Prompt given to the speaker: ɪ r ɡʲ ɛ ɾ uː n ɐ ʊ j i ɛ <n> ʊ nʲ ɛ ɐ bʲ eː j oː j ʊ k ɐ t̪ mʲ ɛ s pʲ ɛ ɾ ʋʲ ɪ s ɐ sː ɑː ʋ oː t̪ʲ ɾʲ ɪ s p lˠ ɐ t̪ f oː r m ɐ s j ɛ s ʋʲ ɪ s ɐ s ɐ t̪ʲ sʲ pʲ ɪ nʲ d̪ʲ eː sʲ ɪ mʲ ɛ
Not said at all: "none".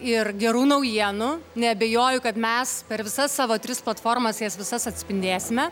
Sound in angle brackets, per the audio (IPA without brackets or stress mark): n